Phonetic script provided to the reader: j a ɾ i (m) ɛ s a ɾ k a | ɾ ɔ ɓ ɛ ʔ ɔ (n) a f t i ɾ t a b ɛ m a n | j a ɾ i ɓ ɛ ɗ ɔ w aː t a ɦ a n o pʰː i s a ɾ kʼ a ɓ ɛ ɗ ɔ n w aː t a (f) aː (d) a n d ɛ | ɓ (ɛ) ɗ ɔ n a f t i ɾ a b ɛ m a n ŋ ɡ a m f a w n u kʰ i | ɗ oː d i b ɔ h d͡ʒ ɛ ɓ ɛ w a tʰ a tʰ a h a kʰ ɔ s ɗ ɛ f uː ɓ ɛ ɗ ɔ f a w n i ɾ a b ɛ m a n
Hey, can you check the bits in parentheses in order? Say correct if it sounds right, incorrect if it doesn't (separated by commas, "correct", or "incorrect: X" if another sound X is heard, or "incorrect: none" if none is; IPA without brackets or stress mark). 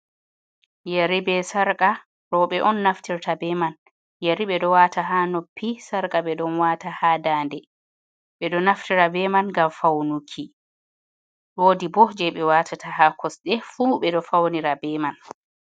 incorrect: b, incorrect: nː, incorrect: h, correct, correct